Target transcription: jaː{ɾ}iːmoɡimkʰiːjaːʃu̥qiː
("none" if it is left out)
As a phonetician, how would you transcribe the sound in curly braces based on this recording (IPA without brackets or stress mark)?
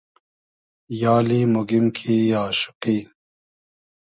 l